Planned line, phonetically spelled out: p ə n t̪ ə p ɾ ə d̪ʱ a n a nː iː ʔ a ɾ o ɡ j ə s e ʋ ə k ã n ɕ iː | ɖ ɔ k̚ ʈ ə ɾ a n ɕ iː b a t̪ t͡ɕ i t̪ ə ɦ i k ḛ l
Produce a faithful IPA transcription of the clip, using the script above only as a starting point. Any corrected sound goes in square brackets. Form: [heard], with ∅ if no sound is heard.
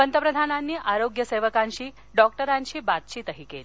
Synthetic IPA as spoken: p ə n t̪ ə p ɾ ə d̪ʱ a n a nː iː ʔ a ɾ o ɡ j ə s e ʋ ə k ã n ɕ iː | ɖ ɔ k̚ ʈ ə ɾ a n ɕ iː b a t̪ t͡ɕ i t̪ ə ɦ i k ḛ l